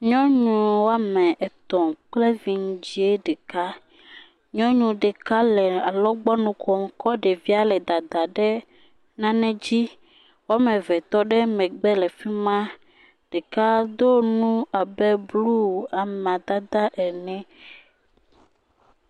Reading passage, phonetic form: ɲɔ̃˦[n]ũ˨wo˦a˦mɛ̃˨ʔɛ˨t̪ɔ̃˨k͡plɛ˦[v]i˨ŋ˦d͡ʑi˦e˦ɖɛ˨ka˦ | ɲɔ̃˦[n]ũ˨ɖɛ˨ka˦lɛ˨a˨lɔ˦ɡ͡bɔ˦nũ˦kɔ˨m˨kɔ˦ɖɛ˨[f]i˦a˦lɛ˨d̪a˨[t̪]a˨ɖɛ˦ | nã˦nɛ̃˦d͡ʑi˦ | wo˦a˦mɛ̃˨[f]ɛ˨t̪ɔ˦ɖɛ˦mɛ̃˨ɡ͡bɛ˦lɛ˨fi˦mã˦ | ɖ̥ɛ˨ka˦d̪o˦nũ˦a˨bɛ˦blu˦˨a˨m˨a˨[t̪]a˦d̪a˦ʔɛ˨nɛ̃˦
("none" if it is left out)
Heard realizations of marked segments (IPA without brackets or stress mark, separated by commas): ɲ, v, ɲ, v, d̪, v, d̪